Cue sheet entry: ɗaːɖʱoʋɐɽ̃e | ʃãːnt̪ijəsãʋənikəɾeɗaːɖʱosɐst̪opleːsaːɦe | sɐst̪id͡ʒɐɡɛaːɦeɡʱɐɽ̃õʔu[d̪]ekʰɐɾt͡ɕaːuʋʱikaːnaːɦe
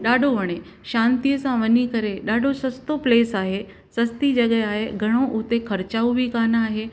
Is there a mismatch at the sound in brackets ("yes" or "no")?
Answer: yes